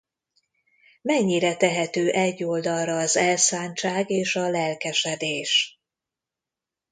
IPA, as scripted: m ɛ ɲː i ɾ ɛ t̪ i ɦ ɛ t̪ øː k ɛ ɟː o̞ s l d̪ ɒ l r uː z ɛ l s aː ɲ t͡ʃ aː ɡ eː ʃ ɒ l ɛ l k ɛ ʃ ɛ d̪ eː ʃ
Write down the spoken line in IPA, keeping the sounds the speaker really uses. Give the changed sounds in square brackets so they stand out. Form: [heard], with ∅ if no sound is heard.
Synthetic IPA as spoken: m ɛ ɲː i ɾ ɛ t̪ [ɛ] ɦ ɛ t̪ øː [ʔ] ɛ ɟː o̞ [∅] l d̪ ɒ l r [ɒː] z ɛ l s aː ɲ t͡ʃ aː ɡ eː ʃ ɒ l ɛ l k ɛ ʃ ɛ d̪ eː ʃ